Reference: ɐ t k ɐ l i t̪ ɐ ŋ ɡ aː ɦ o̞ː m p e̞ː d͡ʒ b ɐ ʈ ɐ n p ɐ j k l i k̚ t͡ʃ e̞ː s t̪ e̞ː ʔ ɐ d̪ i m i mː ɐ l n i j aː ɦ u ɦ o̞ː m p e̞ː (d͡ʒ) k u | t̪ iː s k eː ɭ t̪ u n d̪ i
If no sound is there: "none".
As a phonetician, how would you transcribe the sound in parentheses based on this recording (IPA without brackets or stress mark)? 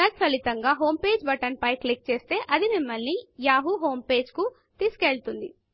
d͡ʒ